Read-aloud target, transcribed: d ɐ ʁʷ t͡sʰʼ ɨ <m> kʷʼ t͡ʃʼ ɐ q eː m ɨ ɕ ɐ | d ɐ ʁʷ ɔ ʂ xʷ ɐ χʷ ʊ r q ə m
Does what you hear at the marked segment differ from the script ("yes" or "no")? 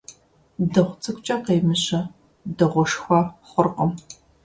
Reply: yes